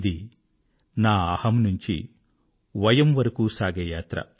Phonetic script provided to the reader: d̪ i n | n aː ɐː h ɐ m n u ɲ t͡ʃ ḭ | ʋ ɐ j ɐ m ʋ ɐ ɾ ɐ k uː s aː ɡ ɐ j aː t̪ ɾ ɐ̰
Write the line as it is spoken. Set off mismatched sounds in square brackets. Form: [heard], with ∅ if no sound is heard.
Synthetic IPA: d̪ i [∅] | n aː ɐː h ɐ m n u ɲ t͡ʃ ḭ | ʋ ɐ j ɐ m ʋ ɐ ɾ ɐ k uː s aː ɡ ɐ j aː t̪ ɾ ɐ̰